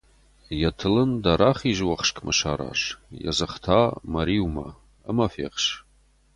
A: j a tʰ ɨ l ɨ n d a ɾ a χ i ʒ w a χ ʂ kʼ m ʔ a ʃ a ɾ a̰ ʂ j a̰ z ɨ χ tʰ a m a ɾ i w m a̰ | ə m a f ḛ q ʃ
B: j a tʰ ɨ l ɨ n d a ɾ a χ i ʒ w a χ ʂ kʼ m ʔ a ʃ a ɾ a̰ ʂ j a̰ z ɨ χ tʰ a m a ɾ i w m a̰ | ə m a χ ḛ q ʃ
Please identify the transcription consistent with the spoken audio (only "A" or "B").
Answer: A